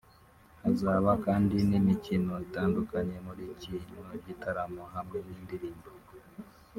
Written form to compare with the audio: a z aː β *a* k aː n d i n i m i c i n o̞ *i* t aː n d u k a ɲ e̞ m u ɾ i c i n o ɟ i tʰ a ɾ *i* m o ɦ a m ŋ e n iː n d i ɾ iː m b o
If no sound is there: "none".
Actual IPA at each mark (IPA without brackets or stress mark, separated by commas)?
a, i, a